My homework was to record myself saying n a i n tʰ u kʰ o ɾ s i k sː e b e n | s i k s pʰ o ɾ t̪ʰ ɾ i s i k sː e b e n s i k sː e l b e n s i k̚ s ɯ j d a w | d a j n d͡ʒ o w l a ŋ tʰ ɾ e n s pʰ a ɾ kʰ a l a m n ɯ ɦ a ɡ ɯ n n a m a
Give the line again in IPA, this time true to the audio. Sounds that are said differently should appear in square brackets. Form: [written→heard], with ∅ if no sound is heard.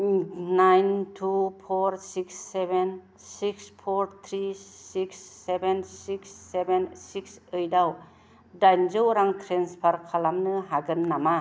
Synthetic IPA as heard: n a [i→j] n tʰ u [kʰ→pʰ] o ɾ s i k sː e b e n | s i k s pʰ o ɾ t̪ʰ ɾ i s i k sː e b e n s i k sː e [l→∅] b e n s i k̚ s ɯ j d a w | d a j n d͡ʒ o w [l→ɾ] a ŋ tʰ ɾ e n s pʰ a ɾ kʰ a l a m n ɯ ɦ a ɡ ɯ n n a m a